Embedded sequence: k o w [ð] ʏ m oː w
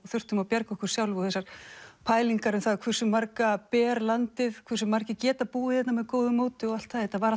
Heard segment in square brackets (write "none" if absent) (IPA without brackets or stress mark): ð